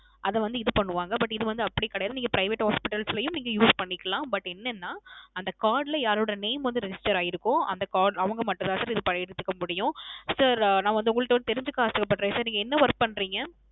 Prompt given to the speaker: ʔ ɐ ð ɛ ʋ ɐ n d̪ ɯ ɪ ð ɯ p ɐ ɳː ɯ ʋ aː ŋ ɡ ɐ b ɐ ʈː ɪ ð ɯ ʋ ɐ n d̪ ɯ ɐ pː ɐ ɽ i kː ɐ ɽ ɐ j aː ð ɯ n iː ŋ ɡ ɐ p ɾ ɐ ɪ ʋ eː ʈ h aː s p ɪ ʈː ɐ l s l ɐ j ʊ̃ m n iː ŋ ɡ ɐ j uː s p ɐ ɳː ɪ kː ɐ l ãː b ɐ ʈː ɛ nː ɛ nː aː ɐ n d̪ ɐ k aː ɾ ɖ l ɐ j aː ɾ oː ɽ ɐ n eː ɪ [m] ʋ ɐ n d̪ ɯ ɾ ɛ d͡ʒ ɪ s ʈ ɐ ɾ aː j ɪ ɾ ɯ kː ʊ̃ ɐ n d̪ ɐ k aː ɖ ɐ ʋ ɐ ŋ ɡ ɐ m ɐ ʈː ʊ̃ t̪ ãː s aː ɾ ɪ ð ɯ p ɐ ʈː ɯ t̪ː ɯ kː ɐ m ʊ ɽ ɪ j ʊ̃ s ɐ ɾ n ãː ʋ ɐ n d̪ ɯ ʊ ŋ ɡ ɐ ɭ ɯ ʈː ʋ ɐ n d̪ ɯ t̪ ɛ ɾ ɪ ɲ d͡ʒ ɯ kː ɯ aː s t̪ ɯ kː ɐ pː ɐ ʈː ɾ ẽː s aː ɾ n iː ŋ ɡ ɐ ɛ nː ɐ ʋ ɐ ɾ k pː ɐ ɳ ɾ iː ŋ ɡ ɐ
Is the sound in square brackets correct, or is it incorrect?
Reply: correct